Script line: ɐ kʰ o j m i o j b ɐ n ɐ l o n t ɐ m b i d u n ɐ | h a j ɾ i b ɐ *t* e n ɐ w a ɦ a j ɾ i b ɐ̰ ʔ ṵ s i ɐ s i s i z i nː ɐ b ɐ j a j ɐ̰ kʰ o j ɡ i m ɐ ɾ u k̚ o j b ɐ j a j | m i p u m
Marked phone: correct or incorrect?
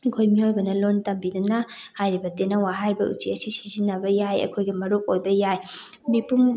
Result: correct